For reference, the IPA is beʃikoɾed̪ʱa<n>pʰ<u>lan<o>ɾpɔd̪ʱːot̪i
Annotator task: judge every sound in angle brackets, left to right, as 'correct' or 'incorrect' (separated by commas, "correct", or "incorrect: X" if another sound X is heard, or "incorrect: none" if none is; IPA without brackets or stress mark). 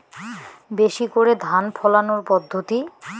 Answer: correct, incorrect: ɔ, correct